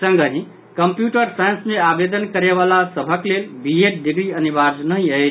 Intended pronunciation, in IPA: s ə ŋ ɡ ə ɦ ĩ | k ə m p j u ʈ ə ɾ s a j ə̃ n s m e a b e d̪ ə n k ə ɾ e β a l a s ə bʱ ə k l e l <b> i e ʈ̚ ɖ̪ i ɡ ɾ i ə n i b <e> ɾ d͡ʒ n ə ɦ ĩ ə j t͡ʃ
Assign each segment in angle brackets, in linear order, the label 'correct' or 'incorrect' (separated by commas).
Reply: correct, incorrect